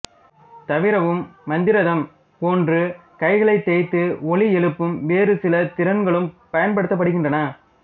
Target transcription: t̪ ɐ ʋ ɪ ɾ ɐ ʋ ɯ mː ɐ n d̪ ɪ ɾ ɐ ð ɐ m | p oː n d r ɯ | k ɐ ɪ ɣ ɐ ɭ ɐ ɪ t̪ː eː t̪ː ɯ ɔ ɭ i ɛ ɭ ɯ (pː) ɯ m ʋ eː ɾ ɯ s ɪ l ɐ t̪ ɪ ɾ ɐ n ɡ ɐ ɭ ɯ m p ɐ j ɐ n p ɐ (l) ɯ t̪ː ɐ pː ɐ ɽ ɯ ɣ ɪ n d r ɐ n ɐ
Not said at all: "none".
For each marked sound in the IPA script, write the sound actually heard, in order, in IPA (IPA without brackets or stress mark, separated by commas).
pː, ɽ